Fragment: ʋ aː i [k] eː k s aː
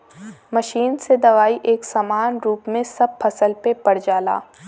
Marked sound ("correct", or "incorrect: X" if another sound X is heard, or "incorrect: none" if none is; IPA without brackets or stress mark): incorrect: ʔ